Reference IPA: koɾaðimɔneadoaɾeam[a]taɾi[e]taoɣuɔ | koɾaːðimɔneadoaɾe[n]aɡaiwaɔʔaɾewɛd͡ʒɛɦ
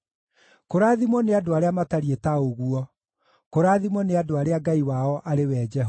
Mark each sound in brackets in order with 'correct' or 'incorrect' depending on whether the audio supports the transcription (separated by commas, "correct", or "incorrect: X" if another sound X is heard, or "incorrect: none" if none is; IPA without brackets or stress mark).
correct, correct, incorrect: none